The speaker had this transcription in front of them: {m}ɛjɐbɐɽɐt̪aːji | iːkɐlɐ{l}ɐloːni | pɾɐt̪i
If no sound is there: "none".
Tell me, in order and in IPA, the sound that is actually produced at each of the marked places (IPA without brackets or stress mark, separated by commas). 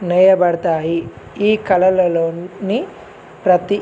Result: n, l